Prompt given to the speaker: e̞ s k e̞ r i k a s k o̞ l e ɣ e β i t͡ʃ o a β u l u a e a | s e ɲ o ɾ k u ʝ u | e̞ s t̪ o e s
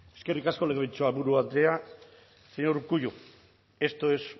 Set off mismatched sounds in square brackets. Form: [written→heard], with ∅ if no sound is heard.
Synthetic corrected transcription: e̞ s k e̞ r i k a s k o̞ l e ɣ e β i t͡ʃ o a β u [l→ɾ] u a e a | s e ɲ o ɾ k u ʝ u | e̞ s t̪ o e s